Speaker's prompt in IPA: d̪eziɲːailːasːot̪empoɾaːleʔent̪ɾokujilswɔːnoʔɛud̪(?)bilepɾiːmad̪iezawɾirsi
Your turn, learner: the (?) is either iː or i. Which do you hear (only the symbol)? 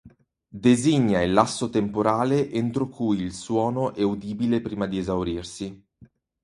iː